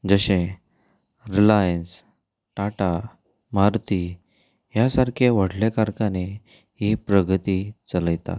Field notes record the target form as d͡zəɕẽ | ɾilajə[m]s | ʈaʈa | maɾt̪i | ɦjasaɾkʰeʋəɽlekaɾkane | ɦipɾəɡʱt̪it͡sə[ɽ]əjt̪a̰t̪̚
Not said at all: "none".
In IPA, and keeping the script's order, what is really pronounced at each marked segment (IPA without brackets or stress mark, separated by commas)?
n, l